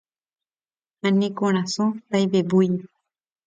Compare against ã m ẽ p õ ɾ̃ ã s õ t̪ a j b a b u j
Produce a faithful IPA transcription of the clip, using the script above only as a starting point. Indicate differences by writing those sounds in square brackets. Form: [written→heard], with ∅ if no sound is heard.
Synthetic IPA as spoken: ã [m→n] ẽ [p→k] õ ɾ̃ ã s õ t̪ a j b [a→e] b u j